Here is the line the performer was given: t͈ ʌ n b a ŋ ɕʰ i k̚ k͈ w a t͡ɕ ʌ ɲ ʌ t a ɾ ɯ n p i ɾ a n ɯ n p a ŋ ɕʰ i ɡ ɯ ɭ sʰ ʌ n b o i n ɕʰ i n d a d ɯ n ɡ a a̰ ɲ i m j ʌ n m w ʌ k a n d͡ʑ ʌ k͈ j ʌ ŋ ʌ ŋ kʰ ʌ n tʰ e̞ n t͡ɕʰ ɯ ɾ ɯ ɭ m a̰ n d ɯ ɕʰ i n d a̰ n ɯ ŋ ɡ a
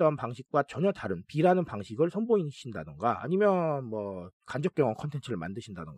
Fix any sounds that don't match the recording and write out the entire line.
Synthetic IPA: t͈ ʌ n p a ŋ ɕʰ i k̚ k͈ w a t͡ɕ ʌ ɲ ʌ t a ɾ ɯ n p i ɾ a n ɯ n p a ŋ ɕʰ i ɡ ɯ ɭ sʰ ʌ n b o i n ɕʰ i n d a d ɯ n ɡ a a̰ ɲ i m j ʌ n m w ʌ k a n d͡ʑ ʌ k͈ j ʌ ŋ ʌ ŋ kʰ ʌ n tʰ e̞ n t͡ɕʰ ɯ ɾ ɯ ɭ m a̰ n d ɯ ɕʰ i n d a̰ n ɯ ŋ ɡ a